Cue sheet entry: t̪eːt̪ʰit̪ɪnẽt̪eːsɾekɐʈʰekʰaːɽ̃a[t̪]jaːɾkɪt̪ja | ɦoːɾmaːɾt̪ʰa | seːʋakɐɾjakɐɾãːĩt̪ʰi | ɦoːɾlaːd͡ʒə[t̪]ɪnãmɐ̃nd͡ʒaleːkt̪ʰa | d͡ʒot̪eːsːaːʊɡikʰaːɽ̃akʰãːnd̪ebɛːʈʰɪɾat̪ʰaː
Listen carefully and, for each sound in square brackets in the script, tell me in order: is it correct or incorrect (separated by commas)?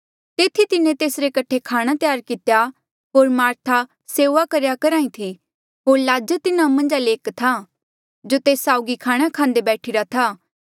correct, correct